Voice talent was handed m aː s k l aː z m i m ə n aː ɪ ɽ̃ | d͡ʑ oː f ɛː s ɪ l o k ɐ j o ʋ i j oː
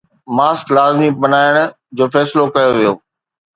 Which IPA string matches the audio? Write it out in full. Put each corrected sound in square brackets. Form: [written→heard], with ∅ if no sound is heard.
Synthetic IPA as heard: m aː s k l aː z m i [m→b] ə n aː ɪ ɽ̃ | d͡ʑ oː f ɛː s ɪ l o k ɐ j o ʋ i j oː